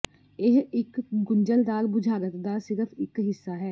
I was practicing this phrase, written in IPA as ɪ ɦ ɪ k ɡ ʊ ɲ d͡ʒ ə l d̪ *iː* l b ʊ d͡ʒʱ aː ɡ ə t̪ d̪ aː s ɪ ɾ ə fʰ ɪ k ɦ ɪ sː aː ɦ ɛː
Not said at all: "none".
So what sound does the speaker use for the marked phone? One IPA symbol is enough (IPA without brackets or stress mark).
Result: aː